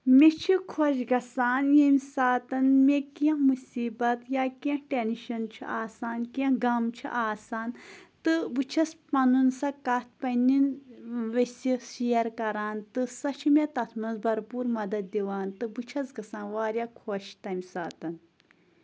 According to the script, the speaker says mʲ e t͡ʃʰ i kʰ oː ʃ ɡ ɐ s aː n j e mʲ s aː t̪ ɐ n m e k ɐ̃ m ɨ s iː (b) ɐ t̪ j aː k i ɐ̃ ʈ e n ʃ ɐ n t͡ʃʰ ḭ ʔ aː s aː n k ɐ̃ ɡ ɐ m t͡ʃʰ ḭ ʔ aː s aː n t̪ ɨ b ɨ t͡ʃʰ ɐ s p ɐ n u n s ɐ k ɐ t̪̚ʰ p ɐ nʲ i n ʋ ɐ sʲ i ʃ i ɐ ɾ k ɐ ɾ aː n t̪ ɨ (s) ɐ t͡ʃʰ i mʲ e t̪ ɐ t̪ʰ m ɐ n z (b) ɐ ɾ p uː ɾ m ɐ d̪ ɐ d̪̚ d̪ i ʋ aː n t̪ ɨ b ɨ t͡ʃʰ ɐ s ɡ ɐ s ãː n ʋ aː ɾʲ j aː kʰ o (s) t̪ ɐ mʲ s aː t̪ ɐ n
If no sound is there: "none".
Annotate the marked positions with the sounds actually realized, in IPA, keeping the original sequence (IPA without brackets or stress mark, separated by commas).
b, s, b, ʃ